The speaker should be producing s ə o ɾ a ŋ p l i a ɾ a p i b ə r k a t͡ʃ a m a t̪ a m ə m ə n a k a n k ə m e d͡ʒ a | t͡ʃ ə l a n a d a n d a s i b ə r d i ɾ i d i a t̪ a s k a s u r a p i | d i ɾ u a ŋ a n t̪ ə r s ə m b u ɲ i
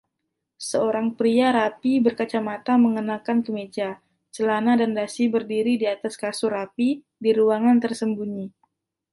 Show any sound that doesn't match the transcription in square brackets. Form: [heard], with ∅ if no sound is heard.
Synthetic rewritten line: s ə o ɾ a ŋ p [ɾ] i a ɾ a p i b ə r k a t͡ʃ a m a t̪ a m ə [ŋ] ə n a k a n k ə m e d͡ʒ a | t͡ʃ ə l a n a d a n d a s i b ə r d i ɾ i d i a t̪ a s k a s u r a p i | d i ɾ u a ŋ a n t̪ ə r s ə m b u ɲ i